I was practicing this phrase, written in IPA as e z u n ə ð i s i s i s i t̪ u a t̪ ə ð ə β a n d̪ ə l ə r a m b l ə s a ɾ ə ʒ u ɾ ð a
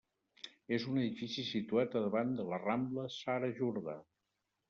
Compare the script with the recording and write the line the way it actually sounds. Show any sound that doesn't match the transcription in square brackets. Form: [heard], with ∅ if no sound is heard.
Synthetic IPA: e z u n ə ð i [f] i s i s i t̪ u a t̪ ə ð ə β a n d̪ ə l ə r a m b l ə s a ɾ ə ʒ u ɾ ð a

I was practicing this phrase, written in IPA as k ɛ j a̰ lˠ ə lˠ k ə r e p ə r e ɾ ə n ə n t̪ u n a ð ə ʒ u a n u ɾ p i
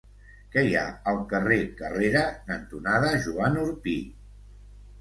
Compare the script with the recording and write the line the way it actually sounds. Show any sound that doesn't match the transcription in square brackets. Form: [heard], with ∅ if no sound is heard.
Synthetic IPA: k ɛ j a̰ [∅] ə lˠ k ə r e [k] ə r e ɾ ə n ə n t̪ u n a ð ə ʒ u a n u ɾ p i

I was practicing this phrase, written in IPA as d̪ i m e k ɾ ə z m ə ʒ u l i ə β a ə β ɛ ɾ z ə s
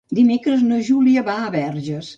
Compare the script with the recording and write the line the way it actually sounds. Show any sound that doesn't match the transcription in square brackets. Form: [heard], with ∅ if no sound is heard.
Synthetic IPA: d̪ i m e k ɾ ə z [n] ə ʒ u l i ə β a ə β ɛ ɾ [ʒ] ə s

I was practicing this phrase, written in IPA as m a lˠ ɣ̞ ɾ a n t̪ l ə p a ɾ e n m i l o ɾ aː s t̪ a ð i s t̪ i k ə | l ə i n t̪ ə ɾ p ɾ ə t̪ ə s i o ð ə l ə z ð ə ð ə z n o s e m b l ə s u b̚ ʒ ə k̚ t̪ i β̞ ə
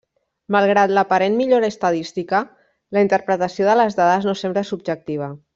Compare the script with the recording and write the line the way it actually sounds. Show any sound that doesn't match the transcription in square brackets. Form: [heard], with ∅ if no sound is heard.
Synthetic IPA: m a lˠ ɣ̞ ɾ a [∅] t̪ l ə p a ɾ e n m i [ʎ] o ɾ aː s t̪ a ð i s t̪ i k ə | l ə i n t̪ ə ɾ p ɾ ə t̪ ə s i o ð ə l ə z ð [a] ð ə z n o s e m b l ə s u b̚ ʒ ə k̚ t̪ i β̞ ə

